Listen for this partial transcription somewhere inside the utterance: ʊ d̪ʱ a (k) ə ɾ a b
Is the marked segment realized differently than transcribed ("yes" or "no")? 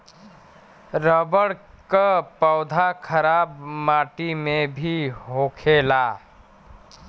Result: yes